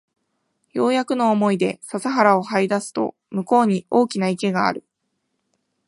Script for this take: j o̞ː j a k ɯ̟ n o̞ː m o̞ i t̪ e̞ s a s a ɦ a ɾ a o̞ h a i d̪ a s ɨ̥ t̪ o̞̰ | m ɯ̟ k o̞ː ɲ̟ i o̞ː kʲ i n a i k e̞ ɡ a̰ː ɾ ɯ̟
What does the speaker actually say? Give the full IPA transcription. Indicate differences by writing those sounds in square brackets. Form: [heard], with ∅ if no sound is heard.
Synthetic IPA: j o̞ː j a k ɯ̟ n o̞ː m o̞ i [d̪] e̞ s a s a ɦ a ɾ a o̞ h a i d̪ a s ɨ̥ t̪ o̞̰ | m ɯ̟ k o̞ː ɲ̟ i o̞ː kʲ i n a i k e̞ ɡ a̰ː ɾ ɯ̟